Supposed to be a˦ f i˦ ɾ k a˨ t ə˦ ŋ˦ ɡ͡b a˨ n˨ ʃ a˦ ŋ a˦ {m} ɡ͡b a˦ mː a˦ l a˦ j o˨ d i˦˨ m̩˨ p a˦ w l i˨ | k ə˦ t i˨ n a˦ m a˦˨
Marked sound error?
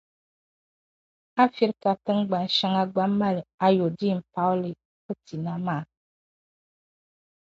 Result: yes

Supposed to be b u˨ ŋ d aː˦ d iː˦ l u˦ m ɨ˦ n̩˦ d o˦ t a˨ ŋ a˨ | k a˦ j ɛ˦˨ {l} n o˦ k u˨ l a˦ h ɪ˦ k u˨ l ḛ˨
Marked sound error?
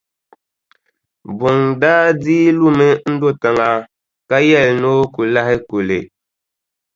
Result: no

